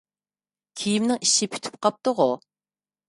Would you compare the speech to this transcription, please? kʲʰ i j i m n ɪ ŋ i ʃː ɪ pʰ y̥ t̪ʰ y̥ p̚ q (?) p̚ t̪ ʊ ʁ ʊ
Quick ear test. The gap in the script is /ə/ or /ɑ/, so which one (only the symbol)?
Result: ɑ